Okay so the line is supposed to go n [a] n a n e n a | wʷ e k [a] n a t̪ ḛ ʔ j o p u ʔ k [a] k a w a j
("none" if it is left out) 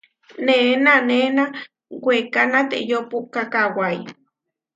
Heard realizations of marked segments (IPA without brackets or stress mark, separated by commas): e, a, a